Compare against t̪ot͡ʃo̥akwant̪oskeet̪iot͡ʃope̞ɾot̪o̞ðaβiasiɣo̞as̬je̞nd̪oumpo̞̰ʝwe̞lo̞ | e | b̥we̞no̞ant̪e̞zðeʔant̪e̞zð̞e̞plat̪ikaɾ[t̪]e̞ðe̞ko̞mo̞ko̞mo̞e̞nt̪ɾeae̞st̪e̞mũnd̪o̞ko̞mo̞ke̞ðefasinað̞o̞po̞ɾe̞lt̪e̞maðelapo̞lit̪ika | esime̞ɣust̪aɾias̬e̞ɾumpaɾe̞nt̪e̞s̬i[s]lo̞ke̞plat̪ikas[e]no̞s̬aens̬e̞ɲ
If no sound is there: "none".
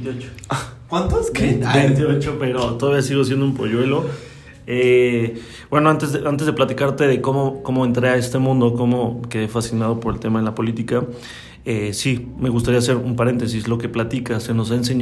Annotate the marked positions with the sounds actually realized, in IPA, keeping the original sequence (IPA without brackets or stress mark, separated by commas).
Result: t̪, s, e